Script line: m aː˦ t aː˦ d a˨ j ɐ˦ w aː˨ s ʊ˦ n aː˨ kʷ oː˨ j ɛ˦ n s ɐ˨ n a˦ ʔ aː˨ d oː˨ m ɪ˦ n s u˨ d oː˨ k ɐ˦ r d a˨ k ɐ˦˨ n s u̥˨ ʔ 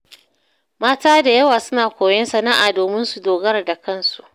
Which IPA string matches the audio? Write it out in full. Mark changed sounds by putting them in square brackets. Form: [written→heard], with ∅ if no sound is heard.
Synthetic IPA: m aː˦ t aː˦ d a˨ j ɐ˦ w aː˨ s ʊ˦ n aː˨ kʷ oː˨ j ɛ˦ n s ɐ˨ n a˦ ʔ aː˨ d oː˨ m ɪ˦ n s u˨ d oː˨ [k→ɡ] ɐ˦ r d a˨ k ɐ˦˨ n s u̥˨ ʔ